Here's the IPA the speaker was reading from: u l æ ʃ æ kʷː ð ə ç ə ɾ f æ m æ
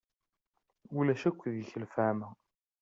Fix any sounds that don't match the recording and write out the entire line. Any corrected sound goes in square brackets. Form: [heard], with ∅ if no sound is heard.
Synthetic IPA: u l æ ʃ æ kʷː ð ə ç ə [l] f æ m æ